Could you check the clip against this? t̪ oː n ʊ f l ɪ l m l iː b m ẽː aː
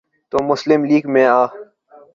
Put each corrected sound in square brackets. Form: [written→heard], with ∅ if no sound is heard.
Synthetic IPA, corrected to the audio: t̪ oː [n→m] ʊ [f→s] l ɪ [l→∅] m l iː [b→ɡ] m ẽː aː